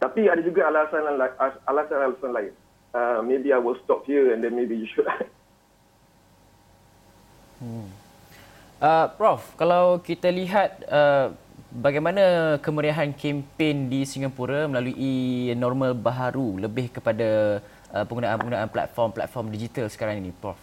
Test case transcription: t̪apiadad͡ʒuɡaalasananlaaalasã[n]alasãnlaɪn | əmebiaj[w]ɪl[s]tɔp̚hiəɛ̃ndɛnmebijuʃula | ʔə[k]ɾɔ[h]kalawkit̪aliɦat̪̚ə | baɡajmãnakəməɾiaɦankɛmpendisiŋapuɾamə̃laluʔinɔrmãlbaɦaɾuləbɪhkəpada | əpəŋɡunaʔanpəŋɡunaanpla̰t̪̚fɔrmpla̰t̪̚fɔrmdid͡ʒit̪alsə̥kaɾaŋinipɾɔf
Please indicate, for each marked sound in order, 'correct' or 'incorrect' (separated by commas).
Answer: correct, correct, correct, incorrect, incorrect